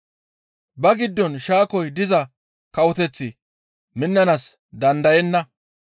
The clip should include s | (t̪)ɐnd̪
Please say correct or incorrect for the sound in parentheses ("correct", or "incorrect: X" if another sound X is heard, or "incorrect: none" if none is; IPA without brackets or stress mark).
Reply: incorrect: d̪